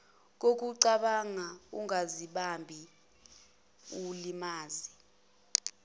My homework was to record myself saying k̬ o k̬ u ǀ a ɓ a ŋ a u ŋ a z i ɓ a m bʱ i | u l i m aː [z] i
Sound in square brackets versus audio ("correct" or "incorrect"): correct